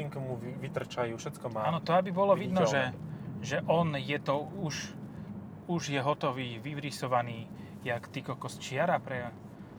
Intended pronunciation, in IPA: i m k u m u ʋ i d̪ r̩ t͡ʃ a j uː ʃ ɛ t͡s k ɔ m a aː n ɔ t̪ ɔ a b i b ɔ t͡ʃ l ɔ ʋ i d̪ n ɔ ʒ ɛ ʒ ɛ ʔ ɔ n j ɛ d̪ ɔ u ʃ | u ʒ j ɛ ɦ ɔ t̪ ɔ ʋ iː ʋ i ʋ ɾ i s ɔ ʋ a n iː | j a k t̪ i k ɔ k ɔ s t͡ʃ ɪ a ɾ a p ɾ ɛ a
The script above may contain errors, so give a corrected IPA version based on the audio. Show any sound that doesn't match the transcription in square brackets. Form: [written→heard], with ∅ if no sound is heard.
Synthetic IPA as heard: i [m→ŋ] k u m u ʋ i [d̪→t̪] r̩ t͡ʃ a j uː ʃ ɛ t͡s k ɔ m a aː n ɔ t̪ ɔ a b i b ɔ [t͡ʃ→∅] l ɔ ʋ i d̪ n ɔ ʒ ɛ ʒ ɛ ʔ ɔ n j ɛ [d̪→t̪] ɔ u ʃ | u ʒ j ɛ ɦ ɔ t̪ ɔ ʋ iː ʋ i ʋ ɾ i s ɔ ʋ a n iː | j a k t̪ i k ɔ k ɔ s t͡ʃ ɪ a ɾ a p ɾ ɛ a